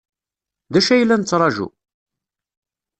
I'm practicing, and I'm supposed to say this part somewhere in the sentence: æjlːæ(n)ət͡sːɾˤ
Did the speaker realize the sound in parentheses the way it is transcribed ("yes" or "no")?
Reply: yes